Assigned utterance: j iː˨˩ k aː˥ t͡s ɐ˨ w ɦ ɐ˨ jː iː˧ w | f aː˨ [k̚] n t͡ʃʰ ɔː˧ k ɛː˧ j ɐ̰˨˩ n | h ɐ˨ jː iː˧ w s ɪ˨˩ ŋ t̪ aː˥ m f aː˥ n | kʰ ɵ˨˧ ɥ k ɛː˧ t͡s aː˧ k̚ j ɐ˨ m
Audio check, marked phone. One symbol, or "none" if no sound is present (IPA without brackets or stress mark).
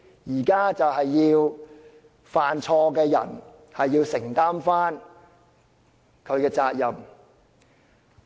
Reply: none